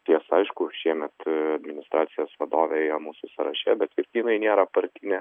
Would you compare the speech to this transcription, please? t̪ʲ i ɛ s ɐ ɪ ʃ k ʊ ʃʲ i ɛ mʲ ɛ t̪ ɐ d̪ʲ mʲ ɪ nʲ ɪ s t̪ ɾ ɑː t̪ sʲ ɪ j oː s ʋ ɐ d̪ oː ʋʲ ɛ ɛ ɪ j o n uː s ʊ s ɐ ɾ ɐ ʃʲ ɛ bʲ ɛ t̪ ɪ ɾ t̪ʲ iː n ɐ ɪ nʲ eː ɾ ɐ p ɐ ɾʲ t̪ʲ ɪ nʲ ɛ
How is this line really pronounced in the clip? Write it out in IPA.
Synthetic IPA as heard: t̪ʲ i ɛ s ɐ ɪ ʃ k ʊ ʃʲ i ɛ mʲ ɛ t̪ ɐ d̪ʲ mʲ ɪ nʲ ɪ s t̪ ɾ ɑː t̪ sʲ ɪ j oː s ʋ ɐ d̪ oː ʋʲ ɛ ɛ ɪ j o m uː s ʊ s ɐ ɾ ɐ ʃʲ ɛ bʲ ɛ t̪ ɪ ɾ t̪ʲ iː n ɐ ɪ nʲ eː ɾ ɐ p ɐ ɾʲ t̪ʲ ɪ nʲ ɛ